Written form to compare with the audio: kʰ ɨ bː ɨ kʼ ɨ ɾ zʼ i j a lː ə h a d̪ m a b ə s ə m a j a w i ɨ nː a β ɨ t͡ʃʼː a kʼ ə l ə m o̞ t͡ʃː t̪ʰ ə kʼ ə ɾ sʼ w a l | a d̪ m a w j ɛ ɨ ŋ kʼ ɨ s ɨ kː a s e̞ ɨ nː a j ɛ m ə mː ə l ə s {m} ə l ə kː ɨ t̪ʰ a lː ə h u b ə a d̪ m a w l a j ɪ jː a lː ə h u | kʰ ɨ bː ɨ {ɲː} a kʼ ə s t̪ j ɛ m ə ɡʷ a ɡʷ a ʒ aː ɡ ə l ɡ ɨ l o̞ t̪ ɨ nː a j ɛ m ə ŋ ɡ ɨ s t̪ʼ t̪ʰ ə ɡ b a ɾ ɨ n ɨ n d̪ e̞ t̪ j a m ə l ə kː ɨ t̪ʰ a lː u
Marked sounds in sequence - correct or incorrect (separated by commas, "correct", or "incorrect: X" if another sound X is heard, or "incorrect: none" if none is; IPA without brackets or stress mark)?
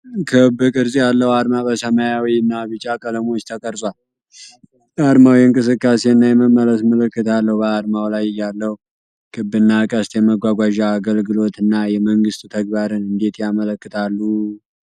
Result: correct, incorrect: nː